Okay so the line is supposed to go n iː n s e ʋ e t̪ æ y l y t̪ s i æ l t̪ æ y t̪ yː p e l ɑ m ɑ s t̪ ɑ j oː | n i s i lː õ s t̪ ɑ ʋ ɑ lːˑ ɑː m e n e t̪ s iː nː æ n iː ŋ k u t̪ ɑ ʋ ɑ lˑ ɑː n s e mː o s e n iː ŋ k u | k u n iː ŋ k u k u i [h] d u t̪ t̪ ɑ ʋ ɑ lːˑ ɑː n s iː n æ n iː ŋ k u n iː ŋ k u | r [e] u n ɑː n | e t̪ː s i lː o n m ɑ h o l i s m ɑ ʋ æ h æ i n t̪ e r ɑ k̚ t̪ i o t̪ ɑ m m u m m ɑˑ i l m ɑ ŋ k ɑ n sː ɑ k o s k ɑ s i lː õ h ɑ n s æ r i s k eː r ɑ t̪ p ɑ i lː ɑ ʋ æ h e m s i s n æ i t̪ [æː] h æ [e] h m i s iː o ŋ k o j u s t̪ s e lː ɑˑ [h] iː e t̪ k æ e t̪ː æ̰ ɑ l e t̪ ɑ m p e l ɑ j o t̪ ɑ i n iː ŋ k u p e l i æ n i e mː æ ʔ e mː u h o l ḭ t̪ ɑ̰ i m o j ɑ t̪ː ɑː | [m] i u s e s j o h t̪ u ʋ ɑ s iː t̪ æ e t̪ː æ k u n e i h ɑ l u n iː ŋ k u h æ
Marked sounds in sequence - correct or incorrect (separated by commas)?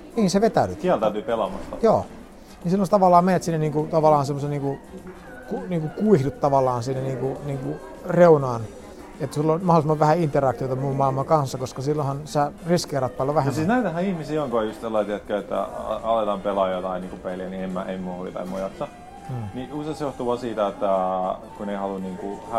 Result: correct, correct, incorrect, incorrect, incorrect, incorrect